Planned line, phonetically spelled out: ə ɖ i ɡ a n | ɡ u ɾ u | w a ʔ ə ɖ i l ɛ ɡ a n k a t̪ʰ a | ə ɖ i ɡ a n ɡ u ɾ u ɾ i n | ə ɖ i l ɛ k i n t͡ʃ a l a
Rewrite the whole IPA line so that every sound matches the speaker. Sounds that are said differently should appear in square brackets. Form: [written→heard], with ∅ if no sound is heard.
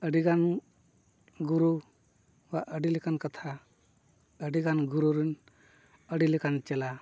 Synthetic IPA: ə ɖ i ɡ a n | ɡ u ɾ u | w a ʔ ə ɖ i l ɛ [ɡ→k] a n k a t̪ʰ a | ə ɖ i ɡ a n ɡ u ɾ u ɾ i n | ə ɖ i l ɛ k [i→a] n t͡ʃ [a→ɛ] l a

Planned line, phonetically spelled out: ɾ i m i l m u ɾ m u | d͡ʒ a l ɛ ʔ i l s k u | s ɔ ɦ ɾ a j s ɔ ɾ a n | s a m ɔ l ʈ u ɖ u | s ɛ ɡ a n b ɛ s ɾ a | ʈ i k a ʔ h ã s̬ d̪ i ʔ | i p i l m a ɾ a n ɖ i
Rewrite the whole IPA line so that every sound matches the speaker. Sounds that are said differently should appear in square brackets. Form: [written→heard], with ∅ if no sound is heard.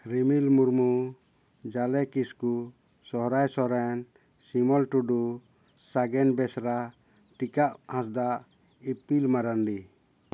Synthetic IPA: ɾ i m i l m u ɾ m u | d͡ʒ a l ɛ [ʔ→k] i [l→∅] s k u | s ɔ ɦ ɾ a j s ɔ ɾ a n | s [a→i] m ɔ l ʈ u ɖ u | s [ɛ→a] ɡ [a→ɛ] n b ɛ s ɾ a | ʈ i k a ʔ h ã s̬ d̪ [i→a] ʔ | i p i l m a ɾ a n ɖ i

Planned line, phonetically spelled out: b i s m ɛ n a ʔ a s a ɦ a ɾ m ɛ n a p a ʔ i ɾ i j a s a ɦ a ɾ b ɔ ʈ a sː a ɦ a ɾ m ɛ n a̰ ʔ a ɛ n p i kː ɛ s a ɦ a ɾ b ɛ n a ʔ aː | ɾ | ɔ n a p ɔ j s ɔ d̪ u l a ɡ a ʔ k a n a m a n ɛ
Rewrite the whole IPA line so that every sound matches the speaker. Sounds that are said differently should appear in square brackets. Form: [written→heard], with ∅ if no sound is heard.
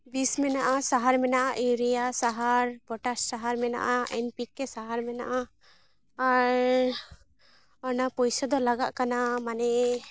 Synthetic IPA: b i s m ɛ n a ʔ a s a ɦ a ɾ m ɛ n a [p→ʔ] a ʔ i ɾ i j a s a ɦ a ɾ b ɔ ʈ a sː a ɦ a ɾ m ɛ n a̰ ʔ a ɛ n p i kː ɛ s a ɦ a ɾ [b→m] ɛ n a ʔ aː | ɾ | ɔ n a p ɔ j s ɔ d̪ [u→ɔ] l a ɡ a ʔ k a n a m a n ɛ

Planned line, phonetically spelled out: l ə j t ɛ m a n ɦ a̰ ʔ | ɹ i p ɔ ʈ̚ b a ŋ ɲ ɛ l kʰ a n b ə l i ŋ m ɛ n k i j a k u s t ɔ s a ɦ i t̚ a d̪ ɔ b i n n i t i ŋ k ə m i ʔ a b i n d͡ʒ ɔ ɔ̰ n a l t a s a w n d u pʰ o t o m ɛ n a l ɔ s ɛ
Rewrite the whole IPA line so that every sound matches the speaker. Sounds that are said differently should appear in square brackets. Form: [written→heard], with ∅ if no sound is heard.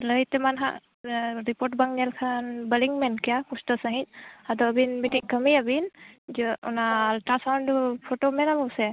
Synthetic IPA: l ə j t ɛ m a n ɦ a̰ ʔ | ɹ i p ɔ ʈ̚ b a ŋ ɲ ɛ l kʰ a n b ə l i ŋ m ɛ n k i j a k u s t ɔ s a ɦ i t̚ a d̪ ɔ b i n [n→m] i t i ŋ k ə m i [ʔ→∅] a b i n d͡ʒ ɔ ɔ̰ n a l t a s a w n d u pʰ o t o m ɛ n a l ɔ s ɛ

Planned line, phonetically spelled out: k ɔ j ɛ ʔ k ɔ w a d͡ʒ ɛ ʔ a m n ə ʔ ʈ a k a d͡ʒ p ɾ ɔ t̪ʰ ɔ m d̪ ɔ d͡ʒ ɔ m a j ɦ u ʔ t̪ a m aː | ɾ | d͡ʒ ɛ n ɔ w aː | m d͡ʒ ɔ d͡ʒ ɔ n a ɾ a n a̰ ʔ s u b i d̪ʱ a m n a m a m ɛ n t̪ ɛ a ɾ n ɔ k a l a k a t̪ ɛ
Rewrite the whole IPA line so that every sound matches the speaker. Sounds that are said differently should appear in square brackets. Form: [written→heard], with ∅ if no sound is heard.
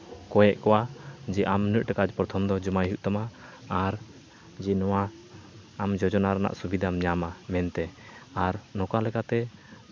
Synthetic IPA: k ɔ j ɛ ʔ k ɔ w a d͡ʒ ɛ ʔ a m n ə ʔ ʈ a k a d͡ʒ p ɾ ɔ t̪ʰ ɔ m d̪ ɔ d͡ʒ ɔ m a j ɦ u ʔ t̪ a m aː | ɾ | d͡ʒ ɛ n ɔ w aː | m d͡ʒ ɔ d͡ʒ ɔ n a ɾ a n a̰ ʔ s u b i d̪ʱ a m [n→ɲ] a m a m ɛ n t̪ ɛ a ɾ n ɔ k a l [a→ɛ] k a t̪ ɛ

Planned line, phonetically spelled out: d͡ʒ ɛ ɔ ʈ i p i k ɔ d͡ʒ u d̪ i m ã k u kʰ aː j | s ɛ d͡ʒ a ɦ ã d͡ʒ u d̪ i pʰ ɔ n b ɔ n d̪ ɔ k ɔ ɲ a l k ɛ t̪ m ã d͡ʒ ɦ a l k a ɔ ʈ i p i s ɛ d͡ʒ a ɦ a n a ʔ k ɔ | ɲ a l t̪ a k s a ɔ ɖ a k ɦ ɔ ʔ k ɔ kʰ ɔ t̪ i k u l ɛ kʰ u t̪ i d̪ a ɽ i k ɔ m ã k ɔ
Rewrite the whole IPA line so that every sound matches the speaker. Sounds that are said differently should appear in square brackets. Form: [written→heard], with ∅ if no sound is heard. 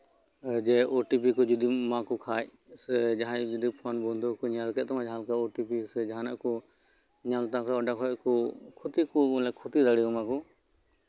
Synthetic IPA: d͡ʒ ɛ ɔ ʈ i p i k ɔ d͡ʒ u d̪ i m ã k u kʰ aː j | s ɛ d͡ʒ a ɦ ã d͡ʒ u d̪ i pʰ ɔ n b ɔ n d̪ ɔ k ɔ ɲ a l k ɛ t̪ m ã d͡ʒ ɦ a l k a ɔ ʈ i p i s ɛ d͡ʒ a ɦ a n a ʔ k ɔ | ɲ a l t̪ a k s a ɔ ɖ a k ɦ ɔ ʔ k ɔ kʰ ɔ t̪ i k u l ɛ kʰ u t̪ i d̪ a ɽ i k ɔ m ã k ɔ

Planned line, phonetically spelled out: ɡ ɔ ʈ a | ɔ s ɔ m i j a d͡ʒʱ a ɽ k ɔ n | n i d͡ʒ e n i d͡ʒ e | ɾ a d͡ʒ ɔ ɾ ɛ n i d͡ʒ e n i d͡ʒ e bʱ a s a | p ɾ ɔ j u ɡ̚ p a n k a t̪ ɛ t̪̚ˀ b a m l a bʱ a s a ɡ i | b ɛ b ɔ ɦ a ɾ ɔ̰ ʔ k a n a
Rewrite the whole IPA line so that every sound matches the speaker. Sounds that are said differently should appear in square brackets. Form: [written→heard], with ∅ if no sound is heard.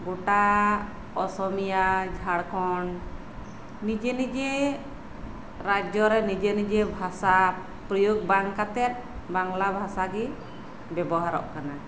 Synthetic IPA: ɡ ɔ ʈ a | ɔ s ɔ m i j a d͡ʒʱ a ɽ k ɔ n | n i d͡ʒ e n i d͡ʒ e | ɾ a d͡ʒ ɔ ɾ ɛ n i d͡ʒ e n i d͡ʒ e bʱ a s a | p ɾ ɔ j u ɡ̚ [p→b] a [n→ŋ] k a t̪ ɛ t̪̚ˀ b a [m→ŋ] l a bʱ a s a ɡ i | b ɛ b ɔ ɦ a ɾ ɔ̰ ʔ k a n a

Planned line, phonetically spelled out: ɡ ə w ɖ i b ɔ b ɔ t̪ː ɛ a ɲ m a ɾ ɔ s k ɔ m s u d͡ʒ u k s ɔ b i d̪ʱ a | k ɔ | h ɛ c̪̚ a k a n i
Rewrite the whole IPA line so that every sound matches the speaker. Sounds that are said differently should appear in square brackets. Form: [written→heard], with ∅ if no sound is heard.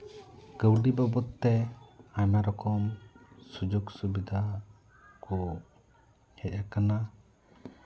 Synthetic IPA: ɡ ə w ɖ i b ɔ b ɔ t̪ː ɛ a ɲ m a ɾ ɔ [s→∅] k ɔ m s u d͡ʒ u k s [ɔ→u] b i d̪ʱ a | k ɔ | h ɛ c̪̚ a k a n [i→a]

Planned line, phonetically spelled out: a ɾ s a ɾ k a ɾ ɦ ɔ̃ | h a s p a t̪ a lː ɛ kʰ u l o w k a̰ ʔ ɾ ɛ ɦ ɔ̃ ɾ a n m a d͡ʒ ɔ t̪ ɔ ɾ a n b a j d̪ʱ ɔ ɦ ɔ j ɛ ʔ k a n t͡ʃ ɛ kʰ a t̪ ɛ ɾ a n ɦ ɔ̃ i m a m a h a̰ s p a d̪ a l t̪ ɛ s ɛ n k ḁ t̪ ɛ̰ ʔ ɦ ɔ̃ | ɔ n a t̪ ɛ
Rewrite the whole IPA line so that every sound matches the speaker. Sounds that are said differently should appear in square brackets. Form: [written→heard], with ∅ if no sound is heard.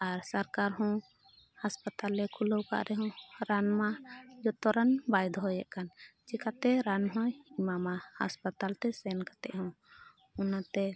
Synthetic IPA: a ɾ s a ɾ k a ɾ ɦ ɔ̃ | h a s p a t̪ a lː ɛ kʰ u l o w k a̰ ʔ ɾ ɛ ɦ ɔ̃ ɾ a n m a d͡ʒ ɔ t̪ ɔ ɾ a n b a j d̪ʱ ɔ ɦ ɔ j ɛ ʔ k a n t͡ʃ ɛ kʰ a t̪ ɛ ɾ a n ɦ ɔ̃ i m a m a h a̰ s p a [d̪→t̪] a l t̪ ɛ s ɛ n k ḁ t̪ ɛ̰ ʔ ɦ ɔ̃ | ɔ n a t̪ ɛ

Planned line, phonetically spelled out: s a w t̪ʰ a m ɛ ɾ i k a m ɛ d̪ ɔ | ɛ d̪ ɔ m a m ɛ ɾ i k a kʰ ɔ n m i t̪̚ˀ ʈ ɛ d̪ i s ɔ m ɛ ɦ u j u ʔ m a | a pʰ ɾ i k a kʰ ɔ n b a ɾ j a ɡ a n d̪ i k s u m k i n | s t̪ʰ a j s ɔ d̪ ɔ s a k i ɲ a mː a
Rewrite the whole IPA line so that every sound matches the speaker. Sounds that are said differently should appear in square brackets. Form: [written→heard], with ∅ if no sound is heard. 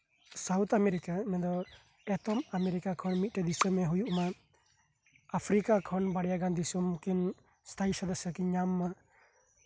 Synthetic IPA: s a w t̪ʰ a m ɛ ɾ i k a m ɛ d̪ ɔ | ɛ [d̪→t̪] ɔ m a m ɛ ɾ i k a kʰ ɔ n m i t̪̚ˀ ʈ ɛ d̪ i s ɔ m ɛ ɦ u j u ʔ m a | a pʰ ɾ i k a kʰ ɔ n b a [ɾ→ɽ] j a ɡ a n d̪ i [k→∅] s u m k i n | s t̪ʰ a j s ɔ d̪ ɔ s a k i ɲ a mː a

